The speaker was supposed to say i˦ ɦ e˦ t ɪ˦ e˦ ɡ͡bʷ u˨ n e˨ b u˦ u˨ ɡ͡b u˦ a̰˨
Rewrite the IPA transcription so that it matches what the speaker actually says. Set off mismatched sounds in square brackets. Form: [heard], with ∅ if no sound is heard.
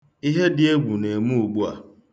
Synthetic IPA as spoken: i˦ ɦ e˦ [d] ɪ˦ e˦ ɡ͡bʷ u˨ n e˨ [m] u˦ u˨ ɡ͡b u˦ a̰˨